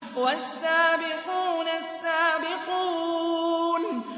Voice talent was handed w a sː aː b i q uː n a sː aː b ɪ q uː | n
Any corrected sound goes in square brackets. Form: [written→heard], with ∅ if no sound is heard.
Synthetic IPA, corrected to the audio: w a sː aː b [i→ɪ] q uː n a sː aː b ɪ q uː | n